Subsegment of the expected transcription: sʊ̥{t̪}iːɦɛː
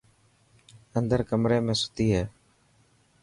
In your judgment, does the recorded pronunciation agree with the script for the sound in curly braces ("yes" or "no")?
yes